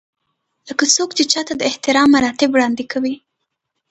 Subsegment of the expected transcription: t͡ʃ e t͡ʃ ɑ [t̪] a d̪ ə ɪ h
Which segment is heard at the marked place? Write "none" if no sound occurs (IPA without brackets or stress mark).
t̪